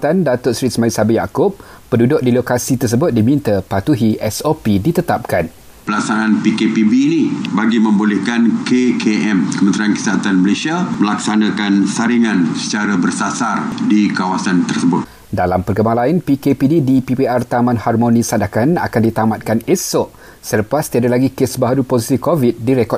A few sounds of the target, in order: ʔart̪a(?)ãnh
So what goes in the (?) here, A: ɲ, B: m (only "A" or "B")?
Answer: B